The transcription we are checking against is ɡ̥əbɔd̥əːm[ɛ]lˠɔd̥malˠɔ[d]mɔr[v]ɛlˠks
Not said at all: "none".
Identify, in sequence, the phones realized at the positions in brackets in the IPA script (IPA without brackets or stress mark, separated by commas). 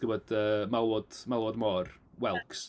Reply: a, d, w